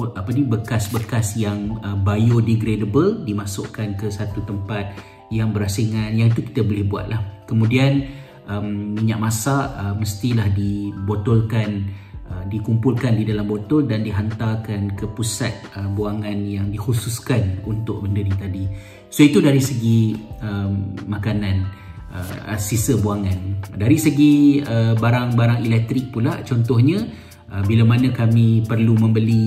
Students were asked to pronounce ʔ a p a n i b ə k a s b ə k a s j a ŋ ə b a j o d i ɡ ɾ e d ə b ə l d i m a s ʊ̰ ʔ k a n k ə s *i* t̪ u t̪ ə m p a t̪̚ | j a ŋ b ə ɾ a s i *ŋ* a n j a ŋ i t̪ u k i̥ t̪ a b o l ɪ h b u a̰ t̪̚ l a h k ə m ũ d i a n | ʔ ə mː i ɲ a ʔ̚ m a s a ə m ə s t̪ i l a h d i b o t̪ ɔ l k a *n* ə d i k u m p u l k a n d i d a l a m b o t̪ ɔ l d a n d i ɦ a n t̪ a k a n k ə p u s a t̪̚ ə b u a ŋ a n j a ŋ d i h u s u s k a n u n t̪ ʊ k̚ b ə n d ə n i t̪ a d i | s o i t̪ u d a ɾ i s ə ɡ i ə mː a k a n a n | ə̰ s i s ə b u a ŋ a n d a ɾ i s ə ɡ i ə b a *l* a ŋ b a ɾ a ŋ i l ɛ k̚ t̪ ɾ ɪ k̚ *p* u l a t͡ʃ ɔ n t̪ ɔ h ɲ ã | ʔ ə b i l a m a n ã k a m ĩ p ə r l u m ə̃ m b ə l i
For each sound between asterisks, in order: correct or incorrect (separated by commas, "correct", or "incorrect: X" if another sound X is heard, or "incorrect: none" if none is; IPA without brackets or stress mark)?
incorrect: a, correct, correct, incorrect: ɾ, correct